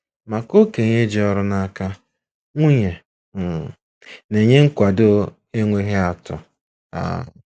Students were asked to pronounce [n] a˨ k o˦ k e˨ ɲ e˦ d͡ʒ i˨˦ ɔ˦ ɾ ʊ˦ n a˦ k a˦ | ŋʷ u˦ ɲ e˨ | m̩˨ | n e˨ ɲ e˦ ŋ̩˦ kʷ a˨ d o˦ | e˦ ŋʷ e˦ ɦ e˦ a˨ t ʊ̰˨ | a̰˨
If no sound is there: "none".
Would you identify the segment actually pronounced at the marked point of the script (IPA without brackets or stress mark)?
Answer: m